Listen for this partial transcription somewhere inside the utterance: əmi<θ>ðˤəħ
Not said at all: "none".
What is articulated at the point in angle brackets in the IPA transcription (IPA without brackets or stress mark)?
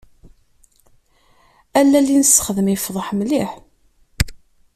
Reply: f